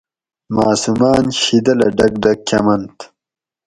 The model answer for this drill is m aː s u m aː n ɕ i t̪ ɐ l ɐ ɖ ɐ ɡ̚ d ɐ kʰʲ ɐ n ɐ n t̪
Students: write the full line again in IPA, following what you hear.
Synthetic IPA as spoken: m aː s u m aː n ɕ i d̪ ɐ l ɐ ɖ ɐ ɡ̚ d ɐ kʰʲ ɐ m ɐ n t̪